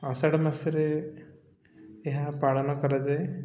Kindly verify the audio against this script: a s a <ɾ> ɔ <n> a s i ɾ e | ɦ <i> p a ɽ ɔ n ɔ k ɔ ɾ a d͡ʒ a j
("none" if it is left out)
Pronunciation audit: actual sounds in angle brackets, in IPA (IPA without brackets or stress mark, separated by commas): ɽ, m, a